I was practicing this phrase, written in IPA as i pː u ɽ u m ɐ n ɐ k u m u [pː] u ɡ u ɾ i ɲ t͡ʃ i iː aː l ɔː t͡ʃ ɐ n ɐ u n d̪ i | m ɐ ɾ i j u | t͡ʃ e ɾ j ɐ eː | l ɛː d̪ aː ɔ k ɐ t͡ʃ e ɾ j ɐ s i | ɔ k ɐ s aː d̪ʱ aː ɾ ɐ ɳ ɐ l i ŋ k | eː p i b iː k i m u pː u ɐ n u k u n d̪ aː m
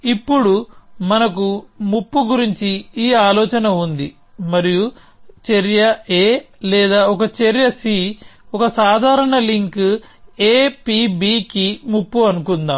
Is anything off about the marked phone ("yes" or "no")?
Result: no